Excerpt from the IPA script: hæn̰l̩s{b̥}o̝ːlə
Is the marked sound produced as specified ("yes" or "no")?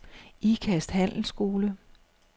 no